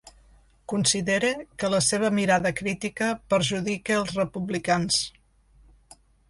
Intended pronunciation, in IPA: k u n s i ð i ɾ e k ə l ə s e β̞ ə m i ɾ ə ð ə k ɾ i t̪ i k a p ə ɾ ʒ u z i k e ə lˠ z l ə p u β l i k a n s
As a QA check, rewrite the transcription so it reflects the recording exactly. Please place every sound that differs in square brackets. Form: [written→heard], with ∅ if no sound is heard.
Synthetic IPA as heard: k u n s i ð [i→e] ɾ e k ə l ə s e β̞ ə m i ɾ [ə→a] ð ə k ɾ i t̪ i k [a→ə] p ə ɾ ʒ u [z→ð] i k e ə lˠ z [l→r] ə p u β l i k a n s

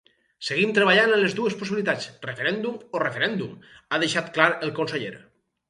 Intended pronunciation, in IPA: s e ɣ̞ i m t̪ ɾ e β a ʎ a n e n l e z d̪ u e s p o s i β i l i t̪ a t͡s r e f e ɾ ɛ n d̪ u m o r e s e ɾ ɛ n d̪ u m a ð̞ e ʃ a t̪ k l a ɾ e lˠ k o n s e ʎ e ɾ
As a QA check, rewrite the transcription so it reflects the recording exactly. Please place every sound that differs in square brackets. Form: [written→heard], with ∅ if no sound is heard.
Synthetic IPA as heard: s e ɣ̞ i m t̪ ɾ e β a ʎ a n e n l e z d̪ u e s p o s i β i l i t̪ a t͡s r e f e ɾ ɛ n d̪ u m o r e [s→f] e ɾ ɛ n d̪ u m a ð̞ e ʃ a t̪ k l a ɾ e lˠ k o n s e ʎ e ɾ

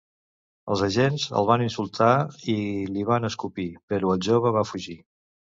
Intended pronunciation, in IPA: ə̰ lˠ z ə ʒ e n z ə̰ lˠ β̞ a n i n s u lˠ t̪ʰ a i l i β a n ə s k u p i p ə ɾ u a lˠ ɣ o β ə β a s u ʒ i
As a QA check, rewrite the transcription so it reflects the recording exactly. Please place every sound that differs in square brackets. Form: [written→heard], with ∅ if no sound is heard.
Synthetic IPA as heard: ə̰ lˠ z ə ʒ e n z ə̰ lˠ β̞ a n i n s u lˠ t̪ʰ a i l i β a n ə s k u p i p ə ɾ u [a→ə] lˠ [ɣ→ʒ] o β ə β a [s→f] u ʒ i

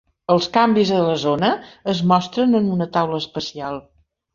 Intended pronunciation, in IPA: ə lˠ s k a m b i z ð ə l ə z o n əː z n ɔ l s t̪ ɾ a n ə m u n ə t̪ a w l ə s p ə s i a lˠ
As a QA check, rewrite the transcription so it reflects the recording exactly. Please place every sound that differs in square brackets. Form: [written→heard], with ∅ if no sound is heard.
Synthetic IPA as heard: ə lˠ s k a m b i z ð ə l ə z o n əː z [n→m] ɔ [l→∅] s t̪ ɾ [a→ə] n ə [m→n] u n ə t̪ a w l ə s p ə s i a lˠ

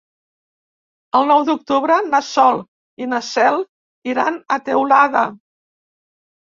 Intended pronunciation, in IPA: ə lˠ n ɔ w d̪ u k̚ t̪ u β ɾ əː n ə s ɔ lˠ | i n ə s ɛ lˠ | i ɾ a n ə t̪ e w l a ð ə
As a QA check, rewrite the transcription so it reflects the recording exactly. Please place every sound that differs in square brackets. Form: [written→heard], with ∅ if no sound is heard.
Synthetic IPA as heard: ə lˠ n ɔ w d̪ u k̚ t̪ u β ɾ [əː→ə] n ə s ɔ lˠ | i n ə s ɛ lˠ | i ɾ a n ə t̪ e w l a ð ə

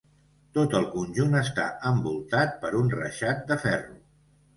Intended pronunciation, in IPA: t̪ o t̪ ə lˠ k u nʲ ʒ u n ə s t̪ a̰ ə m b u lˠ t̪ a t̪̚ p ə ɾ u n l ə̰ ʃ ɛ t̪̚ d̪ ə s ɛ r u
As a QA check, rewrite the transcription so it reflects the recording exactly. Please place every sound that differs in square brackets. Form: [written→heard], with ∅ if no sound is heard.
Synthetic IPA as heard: t̪ o t̪ ə lˠ k u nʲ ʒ u n ə s t̪ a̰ ə m b u lˠ t̪ a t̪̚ p ə ɾ u n [l→r] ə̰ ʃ [ɛ→a] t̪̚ d̪ ə [s→f] ɛ r u

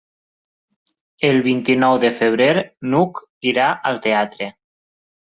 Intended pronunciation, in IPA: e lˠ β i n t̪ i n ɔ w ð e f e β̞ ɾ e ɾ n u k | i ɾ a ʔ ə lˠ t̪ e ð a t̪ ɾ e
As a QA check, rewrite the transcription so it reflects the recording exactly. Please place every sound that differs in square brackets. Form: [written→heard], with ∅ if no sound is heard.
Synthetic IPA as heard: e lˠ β i n t̪ i n ɔ w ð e f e β̞ ɾ e ɾ n u k | i ɾ a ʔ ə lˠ t̪ e [ð→∅] a t̪ ɾ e

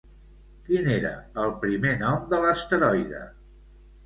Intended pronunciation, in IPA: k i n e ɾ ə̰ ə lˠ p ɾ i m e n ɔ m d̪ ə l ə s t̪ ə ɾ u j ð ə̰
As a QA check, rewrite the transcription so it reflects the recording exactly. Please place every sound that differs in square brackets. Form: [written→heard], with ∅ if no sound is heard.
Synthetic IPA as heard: k i n e ɾ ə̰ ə lˠ p ɾ i m e n ɔ m d̪ ə l ə s t̪ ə ɾ [u→ɔ] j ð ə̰

